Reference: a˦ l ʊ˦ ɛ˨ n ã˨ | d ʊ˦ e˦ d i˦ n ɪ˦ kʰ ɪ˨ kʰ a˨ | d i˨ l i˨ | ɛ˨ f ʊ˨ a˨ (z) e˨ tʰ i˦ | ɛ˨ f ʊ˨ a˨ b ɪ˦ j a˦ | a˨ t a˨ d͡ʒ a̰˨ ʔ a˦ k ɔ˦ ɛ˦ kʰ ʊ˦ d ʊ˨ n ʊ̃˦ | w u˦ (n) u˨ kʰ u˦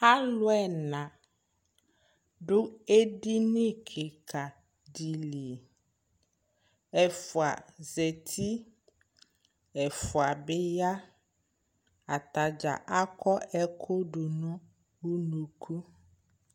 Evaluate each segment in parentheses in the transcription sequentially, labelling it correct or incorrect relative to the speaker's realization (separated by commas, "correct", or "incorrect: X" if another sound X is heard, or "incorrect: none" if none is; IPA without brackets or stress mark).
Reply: correct, correct